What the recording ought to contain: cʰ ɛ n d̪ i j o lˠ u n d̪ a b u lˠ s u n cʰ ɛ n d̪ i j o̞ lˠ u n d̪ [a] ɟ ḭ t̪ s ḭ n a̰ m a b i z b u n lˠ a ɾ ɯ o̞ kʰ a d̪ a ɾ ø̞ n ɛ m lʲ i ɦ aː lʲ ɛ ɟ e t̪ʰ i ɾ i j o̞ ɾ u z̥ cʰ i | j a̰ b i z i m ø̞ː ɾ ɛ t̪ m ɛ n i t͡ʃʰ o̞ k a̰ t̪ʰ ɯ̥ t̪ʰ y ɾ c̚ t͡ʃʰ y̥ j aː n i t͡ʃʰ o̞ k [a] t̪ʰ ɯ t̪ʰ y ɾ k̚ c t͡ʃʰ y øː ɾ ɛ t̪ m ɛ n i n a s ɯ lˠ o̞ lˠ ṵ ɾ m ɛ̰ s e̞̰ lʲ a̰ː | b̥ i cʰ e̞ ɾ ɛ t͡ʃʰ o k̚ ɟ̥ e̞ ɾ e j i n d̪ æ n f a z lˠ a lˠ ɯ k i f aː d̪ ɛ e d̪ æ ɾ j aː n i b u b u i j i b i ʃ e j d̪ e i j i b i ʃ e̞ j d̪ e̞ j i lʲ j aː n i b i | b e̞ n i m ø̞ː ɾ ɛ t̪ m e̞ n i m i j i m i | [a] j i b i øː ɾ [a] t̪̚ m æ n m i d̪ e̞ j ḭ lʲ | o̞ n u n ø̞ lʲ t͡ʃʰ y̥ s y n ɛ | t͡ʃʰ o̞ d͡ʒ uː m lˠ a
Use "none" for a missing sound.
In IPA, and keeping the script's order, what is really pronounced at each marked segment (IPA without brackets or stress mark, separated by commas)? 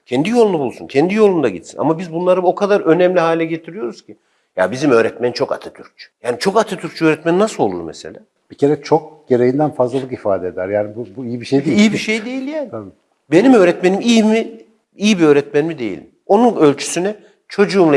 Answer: a, a, i, ɛ